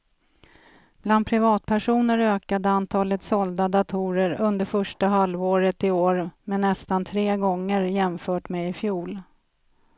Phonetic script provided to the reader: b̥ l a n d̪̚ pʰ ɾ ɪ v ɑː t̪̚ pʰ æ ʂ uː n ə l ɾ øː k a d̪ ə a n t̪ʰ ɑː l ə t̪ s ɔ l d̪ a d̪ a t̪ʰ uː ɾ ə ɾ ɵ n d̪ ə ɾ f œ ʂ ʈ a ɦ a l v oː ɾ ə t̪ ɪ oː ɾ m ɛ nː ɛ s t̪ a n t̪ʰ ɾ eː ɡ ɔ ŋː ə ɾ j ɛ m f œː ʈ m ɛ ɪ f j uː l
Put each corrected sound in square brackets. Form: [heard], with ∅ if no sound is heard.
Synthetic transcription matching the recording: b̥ l a n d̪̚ pʰ ɾ ɪ v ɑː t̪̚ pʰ æ ʂ uː n ə [∅] ɾ øː k a d̪ ə a n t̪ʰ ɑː l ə t̪ s ɔ l d̪ a d̪ a t̪ʰ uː ɾ ə ɾ ɵ n d̪ ə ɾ f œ ʂ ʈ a ɦ a l v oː ɾ ə t̪ ɪ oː ɾ m ɛ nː ɛ s t̪ a n t̪ʰ ɾ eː ɡ ɔ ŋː ə ɾ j ɛ m f œː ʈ m ɛ ɪ f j uː l